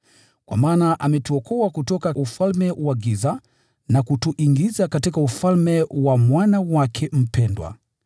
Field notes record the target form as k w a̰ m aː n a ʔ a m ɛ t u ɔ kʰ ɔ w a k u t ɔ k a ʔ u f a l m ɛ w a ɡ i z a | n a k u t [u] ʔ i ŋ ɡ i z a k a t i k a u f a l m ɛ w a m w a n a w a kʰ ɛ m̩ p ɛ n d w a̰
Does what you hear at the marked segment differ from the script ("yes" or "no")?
no